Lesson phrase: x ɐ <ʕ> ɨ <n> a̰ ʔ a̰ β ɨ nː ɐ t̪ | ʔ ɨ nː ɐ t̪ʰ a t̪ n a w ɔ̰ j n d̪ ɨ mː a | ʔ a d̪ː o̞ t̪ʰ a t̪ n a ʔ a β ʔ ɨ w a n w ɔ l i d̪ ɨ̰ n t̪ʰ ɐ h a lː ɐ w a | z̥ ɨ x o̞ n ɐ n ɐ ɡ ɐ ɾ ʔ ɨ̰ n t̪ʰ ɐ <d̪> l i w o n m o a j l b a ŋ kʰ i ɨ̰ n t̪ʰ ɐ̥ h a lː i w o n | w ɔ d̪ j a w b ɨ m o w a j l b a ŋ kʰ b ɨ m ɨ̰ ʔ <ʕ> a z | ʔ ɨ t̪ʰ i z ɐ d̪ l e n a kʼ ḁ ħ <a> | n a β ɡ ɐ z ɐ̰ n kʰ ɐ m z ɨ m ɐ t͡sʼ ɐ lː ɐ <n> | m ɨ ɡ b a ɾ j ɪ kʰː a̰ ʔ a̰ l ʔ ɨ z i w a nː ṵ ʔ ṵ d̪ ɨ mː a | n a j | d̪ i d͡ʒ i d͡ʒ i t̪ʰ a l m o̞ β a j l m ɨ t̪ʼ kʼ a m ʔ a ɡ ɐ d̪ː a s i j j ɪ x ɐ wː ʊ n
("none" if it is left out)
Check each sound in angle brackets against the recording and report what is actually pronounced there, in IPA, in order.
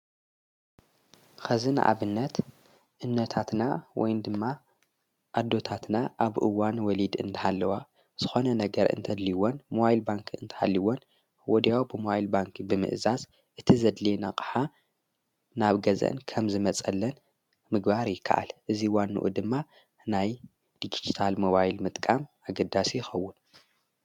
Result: z, n, d̪, z, a, n

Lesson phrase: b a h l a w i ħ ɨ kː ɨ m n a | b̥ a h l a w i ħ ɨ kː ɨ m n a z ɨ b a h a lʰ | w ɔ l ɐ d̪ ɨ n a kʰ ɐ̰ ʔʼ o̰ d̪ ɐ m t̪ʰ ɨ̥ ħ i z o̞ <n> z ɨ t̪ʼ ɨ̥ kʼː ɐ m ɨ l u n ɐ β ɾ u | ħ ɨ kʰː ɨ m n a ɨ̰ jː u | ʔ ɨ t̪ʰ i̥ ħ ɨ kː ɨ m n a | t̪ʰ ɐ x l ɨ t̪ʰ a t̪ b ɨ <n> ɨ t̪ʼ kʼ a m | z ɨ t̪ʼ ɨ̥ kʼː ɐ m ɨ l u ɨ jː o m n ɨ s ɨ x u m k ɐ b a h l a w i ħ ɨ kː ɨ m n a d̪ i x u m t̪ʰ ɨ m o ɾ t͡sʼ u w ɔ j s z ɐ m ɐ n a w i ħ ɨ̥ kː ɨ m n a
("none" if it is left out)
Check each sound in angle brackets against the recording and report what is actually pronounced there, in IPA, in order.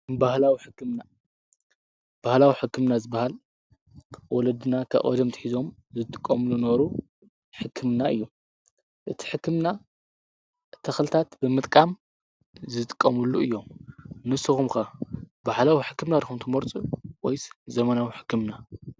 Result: m, m

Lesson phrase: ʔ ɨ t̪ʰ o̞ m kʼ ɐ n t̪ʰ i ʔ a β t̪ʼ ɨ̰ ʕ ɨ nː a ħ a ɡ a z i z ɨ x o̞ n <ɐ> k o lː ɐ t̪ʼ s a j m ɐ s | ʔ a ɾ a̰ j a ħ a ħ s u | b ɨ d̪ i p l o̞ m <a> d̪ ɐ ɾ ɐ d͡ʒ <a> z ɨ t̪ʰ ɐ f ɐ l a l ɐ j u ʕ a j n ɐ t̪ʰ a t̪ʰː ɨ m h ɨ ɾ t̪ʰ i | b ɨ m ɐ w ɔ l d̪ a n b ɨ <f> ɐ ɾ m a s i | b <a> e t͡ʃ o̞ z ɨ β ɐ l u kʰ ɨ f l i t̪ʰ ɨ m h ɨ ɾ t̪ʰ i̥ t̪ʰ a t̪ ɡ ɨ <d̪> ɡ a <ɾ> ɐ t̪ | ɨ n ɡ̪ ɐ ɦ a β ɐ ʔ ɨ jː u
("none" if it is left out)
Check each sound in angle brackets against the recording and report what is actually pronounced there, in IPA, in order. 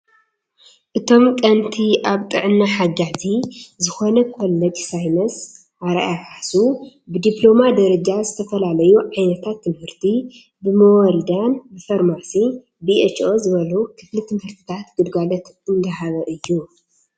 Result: ɐ, a, a, f, i, d̪, l

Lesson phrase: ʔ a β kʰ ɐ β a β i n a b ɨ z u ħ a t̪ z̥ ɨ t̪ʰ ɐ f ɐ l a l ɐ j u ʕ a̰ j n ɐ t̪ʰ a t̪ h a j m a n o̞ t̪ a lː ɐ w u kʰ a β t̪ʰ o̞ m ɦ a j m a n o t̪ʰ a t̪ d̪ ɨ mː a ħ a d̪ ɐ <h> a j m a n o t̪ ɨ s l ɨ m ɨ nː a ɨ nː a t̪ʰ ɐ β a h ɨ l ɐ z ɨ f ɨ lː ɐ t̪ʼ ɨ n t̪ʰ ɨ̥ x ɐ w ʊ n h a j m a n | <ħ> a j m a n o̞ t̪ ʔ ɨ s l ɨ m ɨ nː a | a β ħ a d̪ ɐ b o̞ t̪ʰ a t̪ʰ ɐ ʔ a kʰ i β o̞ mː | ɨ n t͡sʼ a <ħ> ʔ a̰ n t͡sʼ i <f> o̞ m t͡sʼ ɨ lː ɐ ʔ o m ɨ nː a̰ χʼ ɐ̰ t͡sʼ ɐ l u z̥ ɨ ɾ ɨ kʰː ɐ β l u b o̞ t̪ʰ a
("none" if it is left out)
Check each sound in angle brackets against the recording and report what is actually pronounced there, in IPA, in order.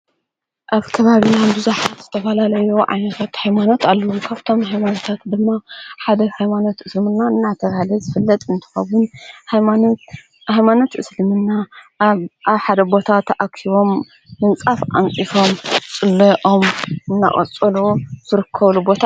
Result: h, h, f, f

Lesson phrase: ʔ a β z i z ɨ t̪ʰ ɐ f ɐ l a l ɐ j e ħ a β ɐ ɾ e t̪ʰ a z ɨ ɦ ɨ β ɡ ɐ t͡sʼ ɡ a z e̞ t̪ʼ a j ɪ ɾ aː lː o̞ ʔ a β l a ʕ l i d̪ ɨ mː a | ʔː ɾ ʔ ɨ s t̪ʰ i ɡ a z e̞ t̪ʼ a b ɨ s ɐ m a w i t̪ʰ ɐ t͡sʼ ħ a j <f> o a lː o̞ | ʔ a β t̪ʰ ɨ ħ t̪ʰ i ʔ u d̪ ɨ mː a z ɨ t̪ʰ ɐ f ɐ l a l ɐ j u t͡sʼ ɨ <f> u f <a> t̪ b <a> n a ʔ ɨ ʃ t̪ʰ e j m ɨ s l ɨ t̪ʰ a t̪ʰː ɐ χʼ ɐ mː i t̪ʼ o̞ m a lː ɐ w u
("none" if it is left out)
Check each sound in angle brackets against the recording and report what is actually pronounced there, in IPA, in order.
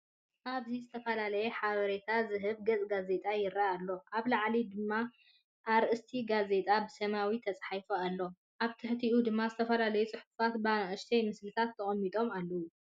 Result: f, ħ, a, a

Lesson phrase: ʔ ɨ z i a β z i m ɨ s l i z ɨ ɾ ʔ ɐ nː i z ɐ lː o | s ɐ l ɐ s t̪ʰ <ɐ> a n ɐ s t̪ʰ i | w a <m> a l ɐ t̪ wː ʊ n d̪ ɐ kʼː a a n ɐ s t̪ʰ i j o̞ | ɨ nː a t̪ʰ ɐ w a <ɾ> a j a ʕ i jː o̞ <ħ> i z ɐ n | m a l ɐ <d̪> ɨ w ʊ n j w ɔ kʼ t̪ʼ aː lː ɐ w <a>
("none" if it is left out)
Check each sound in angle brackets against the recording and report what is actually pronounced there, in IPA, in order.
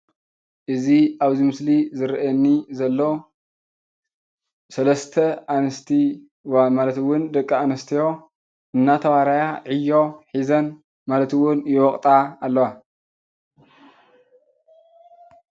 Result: ɐ, m, ɾ, ħ, t̪, a

